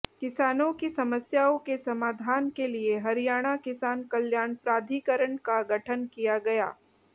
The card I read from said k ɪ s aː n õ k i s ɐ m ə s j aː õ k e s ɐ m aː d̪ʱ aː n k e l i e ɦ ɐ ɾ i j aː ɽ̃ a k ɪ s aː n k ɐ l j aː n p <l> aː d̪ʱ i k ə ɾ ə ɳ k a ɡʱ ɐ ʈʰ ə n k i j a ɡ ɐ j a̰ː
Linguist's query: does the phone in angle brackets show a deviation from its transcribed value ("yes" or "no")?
yes